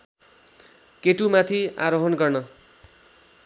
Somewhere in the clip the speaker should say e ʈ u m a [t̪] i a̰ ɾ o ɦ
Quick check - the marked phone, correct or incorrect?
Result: incorrect